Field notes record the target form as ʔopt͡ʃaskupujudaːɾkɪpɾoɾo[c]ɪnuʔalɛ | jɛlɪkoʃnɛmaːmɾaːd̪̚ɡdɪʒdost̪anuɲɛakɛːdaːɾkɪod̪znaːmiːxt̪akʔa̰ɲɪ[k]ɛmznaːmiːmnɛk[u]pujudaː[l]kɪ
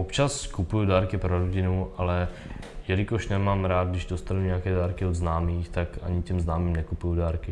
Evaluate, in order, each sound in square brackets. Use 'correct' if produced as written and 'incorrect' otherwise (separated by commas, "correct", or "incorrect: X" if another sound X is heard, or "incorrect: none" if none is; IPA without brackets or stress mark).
incorrect: ɟ, incorrect: c, correct, incorrect: ɾ